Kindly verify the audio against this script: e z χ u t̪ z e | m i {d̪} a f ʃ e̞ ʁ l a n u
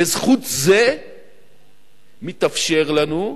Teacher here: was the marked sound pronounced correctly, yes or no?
no